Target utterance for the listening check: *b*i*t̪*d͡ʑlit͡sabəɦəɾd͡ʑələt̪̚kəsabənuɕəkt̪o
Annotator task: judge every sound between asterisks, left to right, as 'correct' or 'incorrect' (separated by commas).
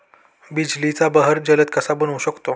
correct, incorrect